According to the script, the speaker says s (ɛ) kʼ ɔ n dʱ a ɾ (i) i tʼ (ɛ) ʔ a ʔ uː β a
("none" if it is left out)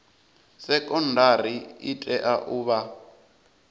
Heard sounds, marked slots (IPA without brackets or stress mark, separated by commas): ɛ, i, ɛ